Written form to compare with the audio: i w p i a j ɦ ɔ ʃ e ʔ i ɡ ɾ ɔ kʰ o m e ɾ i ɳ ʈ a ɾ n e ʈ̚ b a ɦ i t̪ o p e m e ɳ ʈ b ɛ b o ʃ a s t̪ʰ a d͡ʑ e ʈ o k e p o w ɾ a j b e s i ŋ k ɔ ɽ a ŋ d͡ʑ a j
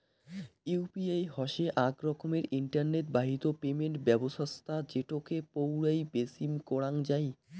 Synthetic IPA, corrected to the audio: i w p i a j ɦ ɔ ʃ e ʔ a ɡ ɾ ɔ kʰ o m e ɾ i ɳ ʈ a ɾ n e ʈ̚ b a ɦ i t̪ o p e m e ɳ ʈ b ɛ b o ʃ a s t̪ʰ a d͡ʑ e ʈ o k e p o w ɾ a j b e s i m k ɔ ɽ a ŋ d͡ʑ a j